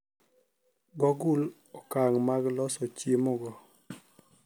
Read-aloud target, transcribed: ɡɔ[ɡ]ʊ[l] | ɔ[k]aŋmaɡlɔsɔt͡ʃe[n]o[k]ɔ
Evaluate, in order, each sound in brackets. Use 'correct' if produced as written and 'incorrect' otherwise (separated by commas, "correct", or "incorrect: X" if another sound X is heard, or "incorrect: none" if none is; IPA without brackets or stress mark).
correct, correct, correct, incorrect: m, incorrect: ɡ